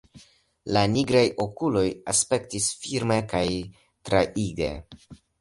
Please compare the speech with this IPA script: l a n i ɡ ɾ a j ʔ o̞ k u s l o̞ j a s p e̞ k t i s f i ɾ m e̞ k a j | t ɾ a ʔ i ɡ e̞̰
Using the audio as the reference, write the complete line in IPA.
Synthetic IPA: l a n i ɡ ɾ a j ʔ o̞ k u l o̞ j a s p e̞ k t i s f i ɾ m e̞ k a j | t ɾ a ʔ i ɡ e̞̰